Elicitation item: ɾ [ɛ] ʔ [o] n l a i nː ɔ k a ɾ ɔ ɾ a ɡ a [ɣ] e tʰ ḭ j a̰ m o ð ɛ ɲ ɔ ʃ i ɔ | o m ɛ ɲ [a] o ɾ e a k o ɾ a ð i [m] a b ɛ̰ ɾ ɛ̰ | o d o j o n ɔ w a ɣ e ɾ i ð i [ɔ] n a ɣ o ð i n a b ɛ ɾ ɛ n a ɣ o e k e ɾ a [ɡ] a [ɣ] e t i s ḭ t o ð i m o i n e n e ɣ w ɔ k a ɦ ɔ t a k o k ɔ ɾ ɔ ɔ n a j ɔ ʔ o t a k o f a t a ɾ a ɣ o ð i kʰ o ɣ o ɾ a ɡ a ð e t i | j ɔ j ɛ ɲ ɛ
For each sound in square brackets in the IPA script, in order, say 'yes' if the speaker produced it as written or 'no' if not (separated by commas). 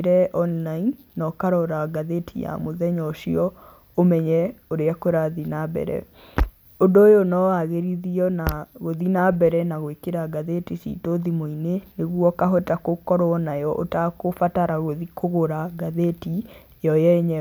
yes, no, no, no, no, yes, yes, no